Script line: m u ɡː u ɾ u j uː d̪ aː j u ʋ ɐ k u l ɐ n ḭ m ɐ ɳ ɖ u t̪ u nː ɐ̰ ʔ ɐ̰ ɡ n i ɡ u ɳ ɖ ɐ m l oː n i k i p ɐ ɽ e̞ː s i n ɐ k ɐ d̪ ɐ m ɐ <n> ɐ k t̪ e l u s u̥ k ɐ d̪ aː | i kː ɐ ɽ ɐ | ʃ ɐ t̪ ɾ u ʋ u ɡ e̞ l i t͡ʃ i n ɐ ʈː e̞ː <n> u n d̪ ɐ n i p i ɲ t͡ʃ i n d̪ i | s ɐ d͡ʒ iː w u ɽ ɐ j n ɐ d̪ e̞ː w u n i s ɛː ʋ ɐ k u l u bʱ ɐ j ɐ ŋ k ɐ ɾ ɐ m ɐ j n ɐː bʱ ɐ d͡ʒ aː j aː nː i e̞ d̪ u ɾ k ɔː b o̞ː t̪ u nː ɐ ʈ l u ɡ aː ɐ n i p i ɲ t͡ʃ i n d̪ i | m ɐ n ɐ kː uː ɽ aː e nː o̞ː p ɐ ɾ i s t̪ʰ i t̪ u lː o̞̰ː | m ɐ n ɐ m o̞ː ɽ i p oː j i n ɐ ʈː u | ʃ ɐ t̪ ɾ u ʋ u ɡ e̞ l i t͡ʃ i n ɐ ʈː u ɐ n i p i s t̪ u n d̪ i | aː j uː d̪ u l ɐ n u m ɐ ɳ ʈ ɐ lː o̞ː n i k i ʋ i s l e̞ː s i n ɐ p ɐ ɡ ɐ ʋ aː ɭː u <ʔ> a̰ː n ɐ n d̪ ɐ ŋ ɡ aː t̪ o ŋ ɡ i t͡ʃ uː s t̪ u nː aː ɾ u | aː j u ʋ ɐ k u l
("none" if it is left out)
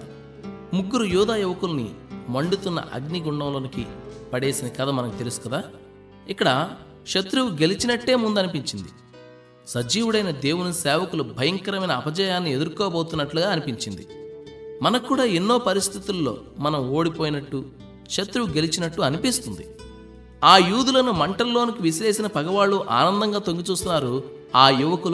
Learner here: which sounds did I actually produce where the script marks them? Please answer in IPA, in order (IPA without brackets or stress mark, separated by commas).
n, m, ʔ